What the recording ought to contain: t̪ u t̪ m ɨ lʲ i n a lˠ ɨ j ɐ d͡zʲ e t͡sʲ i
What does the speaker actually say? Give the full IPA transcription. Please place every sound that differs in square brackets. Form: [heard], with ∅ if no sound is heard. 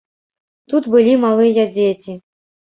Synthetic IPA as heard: t̪ u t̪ [b] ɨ lʲ i [m] a lˠ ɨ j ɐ d͡zʲ e t͡sʲ i